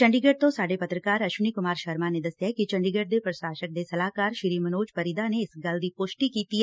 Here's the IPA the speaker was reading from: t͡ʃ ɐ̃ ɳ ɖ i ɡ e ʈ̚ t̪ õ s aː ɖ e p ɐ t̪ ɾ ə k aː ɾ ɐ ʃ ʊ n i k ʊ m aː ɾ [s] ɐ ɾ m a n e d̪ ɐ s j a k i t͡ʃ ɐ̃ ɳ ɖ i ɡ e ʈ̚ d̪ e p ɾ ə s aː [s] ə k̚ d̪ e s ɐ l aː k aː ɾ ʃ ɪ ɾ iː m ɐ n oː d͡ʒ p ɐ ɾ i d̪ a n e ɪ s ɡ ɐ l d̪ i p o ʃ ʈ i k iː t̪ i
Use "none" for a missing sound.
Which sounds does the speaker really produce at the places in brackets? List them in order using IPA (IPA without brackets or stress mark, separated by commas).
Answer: ʃ, ʃ